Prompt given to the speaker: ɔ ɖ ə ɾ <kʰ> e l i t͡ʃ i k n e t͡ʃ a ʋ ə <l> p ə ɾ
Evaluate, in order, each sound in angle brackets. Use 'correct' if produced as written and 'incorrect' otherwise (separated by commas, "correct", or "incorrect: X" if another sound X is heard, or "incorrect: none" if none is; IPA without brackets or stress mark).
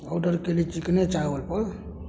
incorrect: k, correct